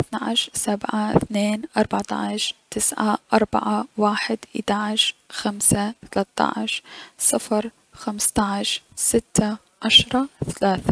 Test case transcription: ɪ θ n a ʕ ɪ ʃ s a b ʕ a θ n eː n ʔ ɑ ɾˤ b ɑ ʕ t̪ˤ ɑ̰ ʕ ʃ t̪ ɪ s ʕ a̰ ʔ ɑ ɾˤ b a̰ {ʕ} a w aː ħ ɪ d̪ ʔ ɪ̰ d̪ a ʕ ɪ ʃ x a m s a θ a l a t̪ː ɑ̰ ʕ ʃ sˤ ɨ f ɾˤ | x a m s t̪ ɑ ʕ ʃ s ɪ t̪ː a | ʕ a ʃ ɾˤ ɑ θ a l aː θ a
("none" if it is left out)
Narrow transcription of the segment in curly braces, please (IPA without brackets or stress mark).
ʕ